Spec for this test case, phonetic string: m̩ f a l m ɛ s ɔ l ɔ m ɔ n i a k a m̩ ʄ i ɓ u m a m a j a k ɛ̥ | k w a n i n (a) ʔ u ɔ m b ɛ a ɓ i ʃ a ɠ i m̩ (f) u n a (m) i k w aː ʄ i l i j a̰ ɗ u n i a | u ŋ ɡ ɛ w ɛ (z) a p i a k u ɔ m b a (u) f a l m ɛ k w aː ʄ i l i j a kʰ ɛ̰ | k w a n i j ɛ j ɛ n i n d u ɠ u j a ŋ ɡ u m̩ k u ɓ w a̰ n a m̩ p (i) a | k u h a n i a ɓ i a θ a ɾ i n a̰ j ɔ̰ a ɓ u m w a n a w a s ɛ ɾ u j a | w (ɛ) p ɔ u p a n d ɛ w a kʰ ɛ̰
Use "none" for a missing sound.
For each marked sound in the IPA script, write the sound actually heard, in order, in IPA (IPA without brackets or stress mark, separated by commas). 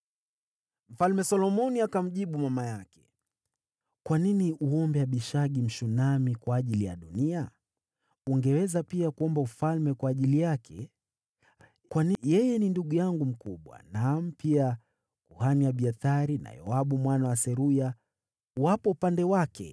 i, ʃ, m, z, u, i, a